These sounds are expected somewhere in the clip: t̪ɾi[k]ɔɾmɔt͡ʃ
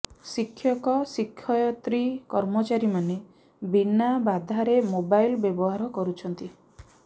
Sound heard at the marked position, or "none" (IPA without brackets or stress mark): k